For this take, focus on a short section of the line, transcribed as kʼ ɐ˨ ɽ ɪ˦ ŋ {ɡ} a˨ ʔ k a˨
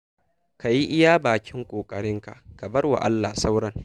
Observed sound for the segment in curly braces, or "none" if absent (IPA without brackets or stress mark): k